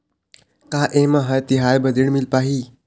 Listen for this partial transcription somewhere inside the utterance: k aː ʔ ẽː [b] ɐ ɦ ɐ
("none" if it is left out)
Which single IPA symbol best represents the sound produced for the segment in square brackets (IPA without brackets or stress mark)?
m